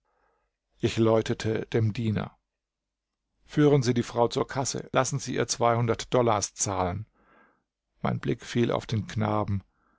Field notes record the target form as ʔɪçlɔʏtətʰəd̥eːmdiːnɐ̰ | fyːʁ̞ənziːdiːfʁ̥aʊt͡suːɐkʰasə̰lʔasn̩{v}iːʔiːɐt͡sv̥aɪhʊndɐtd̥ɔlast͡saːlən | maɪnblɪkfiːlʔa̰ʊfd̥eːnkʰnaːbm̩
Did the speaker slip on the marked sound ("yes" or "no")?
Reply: yes